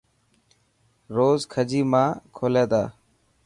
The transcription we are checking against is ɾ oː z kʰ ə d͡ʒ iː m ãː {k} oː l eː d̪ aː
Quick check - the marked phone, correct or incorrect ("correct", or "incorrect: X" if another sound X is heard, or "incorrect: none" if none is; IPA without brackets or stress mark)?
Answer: incorrect: kʰ